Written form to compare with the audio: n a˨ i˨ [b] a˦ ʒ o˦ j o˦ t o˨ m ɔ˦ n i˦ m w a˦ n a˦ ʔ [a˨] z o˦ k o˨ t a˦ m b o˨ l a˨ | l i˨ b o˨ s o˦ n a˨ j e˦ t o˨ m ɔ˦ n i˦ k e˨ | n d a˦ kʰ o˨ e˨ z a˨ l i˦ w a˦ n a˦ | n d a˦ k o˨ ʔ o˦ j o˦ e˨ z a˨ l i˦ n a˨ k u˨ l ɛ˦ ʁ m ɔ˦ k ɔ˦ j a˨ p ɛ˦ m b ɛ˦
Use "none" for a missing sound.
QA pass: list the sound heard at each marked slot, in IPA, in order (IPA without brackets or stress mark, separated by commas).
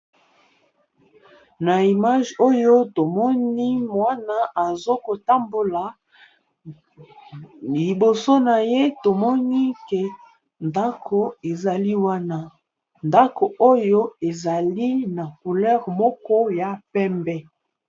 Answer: m, a˨